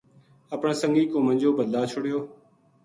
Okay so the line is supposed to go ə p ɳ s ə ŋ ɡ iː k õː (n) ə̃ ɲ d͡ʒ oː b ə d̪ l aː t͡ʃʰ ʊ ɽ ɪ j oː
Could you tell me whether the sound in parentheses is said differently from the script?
yes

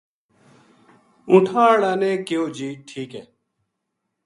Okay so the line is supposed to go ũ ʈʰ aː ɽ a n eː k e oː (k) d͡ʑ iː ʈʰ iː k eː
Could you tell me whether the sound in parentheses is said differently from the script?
yes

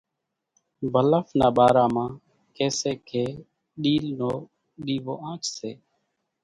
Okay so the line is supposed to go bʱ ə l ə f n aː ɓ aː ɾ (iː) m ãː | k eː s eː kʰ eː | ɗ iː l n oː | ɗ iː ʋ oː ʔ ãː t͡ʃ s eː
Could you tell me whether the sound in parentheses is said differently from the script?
yes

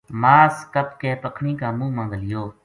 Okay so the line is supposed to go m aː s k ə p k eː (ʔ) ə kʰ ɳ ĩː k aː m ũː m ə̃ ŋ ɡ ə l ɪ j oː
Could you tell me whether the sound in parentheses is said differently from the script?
yes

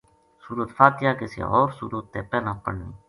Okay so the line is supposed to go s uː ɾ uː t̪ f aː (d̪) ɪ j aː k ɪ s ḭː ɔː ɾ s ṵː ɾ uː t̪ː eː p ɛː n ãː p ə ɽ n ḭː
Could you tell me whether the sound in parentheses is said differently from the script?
yes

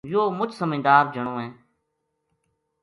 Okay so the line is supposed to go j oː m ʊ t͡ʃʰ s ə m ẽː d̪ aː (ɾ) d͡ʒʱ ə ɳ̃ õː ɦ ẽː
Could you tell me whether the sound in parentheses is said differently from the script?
no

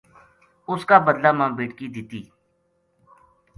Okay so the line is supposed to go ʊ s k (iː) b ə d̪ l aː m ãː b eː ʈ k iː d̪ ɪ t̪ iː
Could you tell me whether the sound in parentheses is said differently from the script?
yes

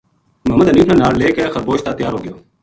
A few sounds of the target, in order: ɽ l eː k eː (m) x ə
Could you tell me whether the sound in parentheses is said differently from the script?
yes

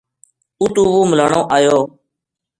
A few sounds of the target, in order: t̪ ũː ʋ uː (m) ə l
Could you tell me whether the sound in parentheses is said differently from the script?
no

